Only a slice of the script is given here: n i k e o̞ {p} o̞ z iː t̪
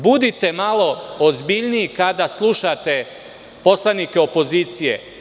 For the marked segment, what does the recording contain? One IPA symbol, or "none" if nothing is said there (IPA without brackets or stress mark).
p